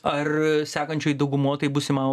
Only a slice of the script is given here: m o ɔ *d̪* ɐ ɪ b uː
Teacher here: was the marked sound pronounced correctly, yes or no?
no